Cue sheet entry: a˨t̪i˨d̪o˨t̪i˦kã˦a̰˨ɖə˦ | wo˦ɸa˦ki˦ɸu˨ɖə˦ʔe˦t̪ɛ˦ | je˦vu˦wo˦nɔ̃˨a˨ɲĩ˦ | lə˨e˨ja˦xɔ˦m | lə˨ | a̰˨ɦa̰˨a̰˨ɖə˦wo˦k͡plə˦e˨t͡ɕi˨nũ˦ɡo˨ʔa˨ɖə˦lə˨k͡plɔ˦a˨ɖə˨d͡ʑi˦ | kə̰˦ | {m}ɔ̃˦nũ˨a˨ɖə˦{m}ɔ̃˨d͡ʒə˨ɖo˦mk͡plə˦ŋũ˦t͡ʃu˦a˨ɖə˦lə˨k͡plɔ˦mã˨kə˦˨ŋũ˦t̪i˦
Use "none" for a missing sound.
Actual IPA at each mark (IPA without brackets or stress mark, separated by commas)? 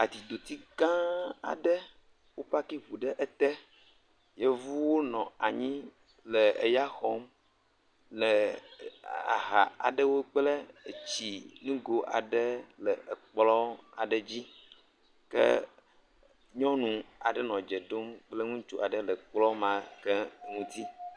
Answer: ɲ, n